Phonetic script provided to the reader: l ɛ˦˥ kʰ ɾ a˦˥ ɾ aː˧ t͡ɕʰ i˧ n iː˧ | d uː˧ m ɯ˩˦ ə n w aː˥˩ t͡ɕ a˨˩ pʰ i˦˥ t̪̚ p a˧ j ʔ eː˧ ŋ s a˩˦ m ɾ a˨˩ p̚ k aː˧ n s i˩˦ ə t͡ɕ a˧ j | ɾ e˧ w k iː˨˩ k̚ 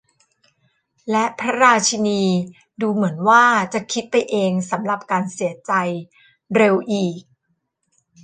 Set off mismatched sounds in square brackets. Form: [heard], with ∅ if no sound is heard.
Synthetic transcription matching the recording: l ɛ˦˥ [pʰ] ɾ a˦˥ ɾ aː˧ t͡ɕʰ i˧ n iː˧ | d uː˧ m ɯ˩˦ ə n w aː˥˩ t͡ɕ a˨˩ [kʰ] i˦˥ t̪̚ p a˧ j ʔ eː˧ ŋ s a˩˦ m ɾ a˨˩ p̚ k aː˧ n s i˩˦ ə t͡ɕ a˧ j | ɾ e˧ w [ʔ] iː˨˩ k̚